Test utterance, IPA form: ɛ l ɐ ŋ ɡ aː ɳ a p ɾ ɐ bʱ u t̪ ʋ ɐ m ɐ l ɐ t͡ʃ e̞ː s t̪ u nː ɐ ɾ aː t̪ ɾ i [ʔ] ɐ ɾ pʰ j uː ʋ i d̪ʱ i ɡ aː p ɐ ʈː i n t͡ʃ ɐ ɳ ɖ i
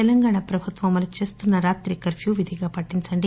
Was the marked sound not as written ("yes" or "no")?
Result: yes